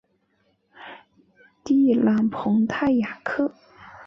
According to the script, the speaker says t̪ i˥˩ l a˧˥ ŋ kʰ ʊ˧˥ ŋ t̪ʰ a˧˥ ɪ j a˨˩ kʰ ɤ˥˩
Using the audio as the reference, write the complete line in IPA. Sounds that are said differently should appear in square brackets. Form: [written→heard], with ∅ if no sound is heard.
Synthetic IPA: t̪ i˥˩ l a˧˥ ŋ [kʰ→pʰ] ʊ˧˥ ŋ t̪ʰ [a˧˥→a˥˩] ɪ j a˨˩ kʰ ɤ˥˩